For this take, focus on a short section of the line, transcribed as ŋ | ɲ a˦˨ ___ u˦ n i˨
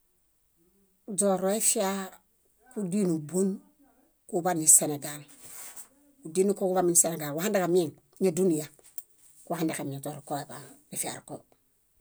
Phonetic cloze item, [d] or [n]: d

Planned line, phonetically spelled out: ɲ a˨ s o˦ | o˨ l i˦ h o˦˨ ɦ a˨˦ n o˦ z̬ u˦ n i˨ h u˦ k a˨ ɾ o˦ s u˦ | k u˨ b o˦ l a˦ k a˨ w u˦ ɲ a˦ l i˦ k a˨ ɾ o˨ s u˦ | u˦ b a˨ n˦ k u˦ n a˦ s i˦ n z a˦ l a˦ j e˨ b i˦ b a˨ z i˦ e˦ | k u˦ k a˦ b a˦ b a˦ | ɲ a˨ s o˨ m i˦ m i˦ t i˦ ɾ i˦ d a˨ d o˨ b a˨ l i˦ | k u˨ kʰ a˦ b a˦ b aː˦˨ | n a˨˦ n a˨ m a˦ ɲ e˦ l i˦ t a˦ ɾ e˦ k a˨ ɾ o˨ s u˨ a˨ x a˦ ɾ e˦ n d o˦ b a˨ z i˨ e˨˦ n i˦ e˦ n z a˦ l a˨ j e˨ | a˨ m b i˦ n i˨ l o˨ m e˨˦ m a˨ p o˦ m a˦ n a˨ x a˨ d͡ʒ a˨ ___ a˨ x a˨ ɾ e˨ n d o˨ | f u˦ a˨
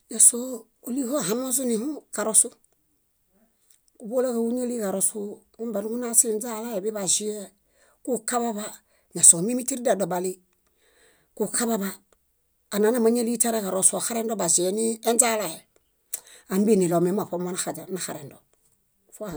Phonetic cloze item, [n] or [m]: n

